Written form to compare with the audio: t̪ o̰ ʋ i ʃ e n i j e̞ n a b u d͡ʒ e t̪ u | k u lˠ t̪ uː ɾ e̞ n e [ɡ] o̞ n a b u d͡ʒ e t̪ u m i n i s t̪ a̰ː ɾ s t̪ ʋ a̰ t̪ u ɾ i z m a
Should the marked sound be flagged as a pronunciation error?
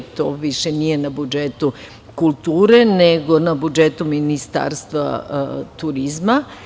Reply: no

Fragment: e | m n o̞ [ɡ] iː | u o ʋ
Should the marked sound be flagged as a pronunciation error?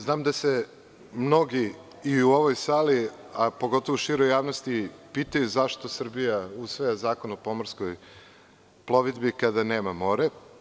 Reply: no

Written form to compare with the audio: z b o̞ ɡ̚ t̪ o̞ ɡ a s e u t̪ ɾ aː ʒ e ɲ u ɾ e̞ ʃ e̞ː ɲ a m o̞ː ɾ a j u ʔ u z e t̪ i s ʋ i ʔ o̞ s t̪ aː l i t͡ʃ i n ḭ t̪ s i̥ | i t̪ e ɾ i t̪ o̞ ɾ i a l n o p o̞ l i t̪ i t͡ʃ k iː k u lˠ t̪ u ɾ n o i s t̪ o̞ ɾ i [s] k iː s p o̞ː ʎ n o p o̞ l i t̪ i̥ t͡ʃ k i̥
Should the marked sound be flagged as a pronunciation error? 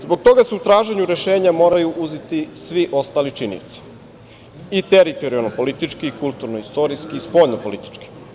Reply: no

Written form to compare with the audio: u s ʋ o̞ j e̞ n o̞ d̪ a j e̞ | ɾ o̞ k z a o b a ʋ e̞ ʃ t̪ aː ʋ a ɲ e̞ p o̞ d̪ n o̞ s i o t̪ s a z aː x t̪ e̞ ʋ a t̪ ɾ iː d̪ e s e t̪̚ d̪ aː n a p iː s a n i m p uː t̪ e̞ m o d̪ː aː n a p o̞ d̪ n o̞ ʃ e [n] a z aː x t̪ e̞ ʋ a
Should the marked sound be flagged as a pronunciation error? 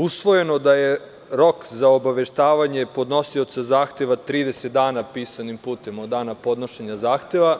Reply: yes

